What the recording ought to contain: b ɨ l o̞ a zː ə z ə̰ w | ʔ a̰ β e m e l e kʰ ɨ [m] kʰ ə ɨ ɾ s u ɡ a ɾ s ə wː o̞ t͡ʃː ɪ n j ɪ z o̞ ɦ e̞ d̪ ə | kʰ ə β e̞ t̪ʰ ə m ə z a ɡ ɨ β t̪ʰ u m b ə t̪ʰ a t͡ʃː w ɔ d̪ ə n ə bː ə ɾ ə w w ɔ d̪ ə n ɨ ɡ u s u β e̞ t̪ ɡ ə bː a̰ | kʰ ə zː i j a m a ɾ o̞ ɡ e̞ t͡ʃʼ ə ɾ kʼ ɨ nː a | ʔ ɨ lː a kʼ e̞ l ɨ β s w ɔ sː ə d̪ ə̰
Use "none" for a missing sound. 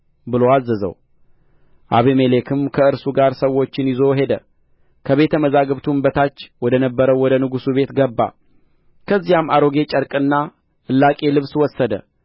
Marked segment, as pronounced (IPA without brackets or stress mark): m